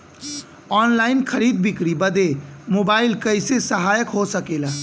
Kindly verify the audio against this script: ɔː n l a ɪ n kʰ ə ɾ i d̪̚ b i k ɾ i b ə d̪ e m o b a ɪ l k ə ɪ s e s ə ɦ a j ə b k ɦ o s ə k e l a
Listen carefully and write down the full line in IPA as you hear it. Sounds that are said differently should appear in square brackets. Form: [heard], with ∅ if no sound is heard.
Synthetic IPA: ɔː n l a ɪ n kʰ ə ɾ i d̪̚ b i k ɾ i b ə d̪ e m o b a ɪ l k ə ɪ s e s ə ɦ a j ə [∅] k ɦ o s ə k e l a

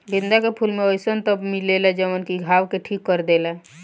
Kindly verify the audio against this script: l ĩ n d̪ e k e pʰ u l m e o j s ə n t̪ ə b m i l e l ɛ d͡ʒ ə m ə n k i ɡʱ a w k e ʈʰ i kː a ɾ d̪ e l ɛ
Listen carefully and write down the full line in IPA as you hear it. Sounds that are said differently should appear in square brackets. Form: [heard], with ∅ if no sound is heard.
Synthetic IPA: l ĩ n d̪ [a] k e pʰ u l m e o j s ə n t̪ ə b m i l e l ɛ d͡ʒ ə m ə n k i ɡʱ a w k e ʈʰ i kː [ə] ɾ d̪ e l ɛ

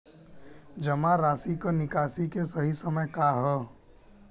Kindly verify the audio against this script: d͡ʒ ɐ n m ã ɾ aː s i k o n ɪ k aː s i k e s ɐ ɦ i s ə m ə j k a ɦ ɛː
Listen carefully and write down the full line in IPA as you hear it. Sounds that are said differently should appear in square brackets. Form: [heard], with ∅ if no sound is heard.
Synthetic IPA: d͡ʒ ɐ [∅] m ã ɾ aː s i k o n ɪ k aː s i k e s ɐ ɦ i s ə m ə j k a ɦ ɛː

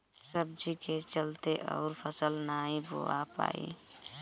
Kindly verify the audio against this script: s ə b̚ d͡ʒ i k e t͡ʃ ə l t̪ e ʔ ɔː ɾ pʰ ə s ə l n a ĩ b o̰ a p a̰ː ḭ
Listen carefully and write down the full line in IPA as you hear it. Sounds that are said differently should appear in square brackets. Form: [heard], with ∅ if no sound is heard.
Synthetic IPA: s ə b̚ d͡ʒ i k e t͡ʃ ə l t̪ e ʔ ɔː ɾ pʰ ə s ə l n a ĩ b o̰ a p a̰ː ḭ

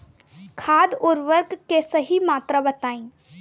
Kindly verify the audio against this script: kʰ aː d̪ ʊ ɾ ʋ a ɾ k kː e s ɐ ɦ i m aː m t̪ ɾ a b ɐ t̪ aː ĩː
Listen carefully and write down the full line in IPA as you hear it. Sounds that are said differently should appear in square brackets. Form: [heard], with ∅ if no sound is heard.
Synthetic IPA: kʰ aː d̪ ʊ ɾ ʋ [ə] ɾ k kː e s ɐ ɦ i m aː [∅] t̪ ɾ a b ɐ t̪ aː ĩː

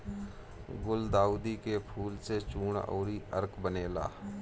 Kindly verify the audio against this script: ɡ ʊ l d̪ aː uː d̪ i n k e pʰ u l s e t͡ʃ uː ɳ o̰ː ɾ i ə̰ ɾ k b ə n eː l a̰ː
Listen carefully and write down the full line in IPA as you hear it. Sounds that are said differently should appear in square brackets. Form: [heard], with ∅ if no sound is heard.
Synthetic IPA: ɡ ʊ l d̪ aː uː d̪ i [∅] k e pʰ [uː] l s e t͡ʃ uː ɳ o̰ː ɾ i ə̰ ɾ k b ə n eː l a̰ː

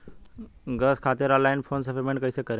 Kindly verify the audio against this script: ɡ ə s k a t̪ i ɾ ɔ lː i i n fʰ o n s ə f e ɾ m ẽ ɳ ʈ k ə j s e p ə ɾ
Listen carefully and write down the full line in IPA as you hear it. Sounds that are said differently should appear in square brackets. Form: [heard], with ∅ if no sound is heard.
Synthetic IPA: ɡ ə s [kʰ] a t̪ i ɾ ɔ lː [a] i n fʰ o n s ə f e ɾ m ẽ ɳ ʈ k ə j s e [k] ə ɾ

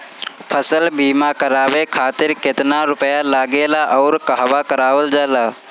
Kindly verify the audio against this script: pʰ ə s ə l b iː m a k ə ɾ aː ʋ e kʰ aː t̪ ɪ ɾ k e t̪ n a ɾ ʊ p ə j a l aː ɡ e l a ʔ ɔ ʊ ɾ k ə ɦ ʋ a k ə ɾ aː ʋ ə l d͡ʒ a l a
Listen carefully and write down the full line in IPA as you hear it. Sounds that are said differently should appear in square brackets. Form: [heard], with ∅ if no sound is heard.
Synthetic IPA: pʰ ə s ə l b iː m a k ə ɾ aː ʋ e kʰ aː t̪ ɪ ɾ k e t̪ n a ɾ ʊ p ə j a l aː ɡ e l a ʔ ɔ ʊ ɾ k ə ɦ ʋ a k ə ɾ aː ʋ ə l d͡ʒ a l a

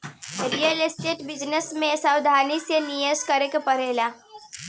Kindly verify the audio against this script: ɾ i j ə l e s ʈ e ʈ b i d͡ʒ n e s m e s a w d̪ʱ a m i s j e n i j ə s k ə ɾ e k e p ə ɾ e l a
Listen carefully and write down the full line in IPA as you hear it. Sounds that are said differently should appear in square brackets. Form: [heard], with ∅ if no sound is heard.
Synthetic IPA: ɾ i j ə l e s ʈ e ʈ b i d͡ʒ n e s m e s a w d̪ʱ a [n] i s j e n i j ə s k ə ɾ e k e p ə ɾ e l a

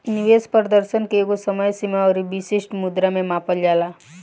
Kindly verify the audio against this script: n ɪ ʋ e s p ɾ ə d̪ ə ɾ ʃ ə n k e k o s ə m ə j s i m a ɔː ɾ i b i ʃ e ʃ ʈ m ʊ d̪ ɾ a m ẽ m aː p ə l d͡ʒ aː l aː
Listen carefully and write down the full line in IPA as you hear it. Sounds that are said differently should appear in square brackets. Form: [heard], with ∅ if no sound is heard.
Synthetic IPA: n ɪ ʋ e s p ɾ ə d̪ ə ɾ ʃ ə n k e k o s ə m ə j s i m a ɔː ɾ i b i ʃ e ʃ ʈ m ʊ d̪ ɾ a m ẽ m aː p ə l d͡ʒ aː l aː

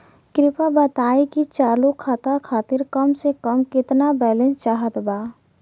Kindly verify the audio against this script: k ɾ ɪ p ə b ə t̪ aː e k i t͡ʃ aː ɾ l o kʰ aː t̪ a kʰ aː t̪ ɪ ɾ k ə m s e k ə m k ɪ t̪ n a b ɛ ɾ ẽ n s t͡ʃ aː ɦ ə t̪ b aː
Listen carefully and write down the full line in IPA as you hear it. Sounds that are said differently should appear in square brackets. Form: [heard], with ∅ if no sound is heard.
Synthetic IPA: k ɾ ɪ p [a] b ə t̪ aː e k i t͡ʃ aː ɾ l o kʰ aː t̪ a kʰ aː t̪ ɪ ɾ k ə m s e k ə m k ɪ t̪ n a b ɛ [l] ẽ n s t͡ʃ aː ɦ ə t̪ b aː

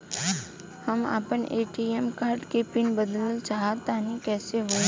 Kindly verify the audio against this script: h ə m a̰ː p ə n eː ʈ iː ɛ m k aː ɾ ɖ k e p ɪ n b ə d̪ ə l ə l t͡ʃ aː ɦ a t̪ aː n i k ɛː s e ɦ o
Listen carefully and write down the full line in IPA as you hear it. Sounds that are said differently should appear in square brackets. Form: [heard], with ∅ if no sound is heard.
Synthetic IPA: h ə m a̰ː p ə n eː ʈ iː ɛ m k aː ɾ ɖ k e p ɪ n b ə d̪ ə l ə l t͡ʃ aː ɦ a t̪ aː n i k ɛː s e ɦ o

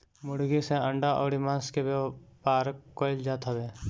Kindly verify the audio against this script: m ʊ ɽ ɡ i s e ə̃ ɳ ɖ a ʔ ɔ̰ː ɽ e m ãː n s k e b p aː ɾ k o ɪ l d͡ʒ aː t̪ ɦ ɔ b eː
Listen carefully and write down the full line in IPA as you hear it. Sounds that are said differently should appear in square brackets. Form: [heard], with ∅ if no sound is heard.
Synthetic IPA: m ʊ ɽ ɡ i s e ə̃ ɳ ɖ a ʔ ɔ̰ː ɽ [i] m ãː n s k e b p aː ɾ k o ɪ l d͡ʒ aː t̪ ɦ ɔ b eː

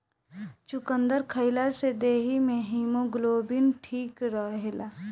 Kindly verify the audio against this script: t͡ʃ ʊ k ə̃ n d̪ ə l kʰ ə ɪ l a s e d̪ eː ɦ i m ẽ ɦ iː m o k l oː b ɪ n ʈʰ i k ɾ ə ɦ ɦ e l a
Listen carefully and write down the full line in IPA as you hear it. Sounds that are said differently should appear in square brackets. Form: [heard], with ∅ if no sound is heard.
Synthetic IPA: t͡ʃ ʊ k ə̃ n d̪ ə [ɾ] kʰ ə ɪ l a s e d̪ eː ɦ i m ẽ ɦ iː m o [ɡ] l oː b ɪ n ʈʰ [iː] k ɾ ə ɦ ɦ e l a

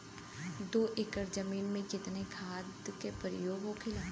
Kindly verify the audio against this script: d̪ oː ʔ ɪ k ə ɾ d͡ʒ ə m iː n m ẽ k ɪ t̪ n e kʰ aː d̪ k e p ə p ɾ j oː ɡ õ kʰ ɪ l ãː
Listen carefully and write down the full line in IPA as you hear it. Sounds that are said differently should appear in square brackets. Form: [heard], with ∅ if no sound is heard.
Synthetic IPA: d̪ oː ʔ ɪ k ə ɾ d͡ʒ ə m iː n m ẽ k ɪ t̪ n e kʰ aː d̪ k e p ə [∅] ɾ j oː ɡ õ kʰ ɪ l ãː

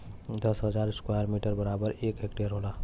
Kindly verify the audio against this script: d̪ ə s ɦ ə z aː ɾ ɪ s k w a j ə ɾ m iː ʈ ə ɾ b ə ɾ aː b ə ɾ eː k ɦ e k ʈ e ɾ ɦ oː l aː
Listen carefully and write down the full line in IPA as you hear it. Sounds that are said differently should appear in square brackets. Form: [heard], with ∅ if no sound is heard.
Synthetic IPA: d̪ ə s ɦ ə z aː ɾ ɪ s k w a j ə ɾ m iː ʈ ə ɾ b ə ɾ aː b ə ɾ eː k ɦ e k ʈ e ɾ ɦ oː l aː

